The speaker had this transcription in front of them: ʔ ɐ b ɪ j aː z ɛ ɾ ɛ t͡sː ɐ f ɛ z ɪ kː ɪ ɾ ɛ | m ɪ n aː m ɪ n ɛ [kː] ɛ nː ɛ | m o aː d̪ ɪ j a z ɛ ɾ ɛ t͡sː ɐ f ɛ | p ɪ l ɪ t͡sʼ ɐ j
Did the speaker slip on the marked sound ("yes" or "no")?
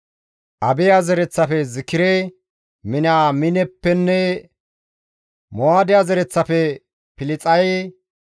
yes